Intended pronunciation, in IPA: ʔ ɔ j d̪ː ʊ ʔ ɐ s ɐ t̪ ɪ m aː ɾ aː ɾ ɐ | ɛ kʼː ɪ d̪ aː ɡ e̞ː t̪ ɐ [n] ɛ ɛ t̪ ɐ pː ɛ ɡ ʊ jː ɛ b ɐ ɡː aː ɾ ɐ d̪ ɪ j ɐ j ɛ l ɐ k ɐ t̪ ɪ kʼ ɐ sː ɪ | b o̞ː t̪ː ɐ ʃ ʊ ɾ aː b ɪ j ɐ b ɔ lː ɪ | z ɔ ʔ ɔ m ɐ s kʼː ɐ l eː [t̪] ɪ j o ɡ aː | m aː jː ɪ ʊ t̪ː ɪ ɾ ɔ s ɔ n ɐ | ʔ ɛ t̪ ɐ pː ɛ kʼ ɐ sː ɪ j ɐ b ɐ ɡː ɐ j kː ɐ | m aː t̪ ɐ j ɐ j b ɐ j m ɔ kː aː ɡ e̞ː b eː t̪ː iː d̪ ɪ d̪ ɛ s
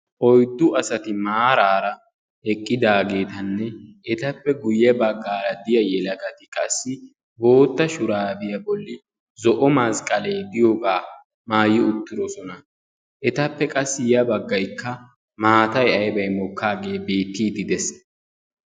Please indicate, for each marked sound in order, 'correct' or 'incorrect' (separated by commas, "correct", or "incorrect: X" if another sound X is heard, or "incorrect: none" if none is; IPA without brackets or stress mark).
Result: incorrect: nː, incorrect: d̪